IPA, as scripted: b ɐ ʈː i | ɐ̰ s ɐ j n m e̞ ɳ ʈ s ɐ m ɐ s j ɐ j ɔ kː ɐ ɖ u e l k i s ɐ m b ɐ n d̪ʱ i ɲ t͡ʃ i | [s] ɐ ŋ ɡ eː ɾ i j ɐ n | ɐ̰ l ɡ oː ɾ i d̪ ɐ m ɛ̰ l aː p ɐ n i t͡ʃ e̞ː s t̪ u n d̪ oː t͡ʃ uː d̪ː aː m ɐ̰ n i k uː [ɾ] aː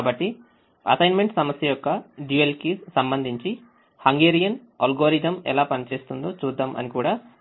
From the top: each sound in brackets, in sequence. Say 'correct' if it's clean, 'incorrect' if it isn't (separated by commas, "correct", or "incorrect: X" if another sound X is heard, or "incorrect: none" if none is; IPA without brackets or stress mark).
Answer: incorrect: h, incorrect: ɽ